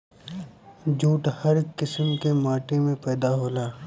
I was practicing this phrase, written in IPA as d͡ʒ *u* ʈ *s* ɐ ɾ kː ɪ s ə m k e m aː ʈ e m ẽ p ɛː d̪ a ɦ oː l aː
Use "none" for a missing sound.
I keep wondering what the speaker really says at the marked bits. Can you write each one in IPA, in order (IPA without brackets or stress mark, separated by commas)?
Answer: uː, h